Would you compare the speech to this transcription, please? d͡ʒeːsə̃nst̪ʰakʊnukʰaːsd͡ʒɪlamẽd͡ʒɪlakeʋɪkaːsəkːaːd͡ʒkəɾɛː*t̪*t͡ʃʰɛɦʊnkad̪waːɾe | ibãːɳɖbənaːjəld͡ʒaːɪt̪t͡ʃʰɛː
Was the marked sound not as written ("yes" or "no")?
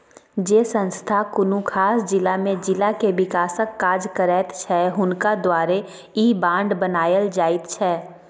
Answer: no